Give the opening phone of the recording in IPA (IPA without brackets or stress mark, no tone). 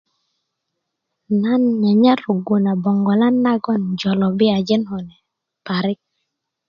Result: n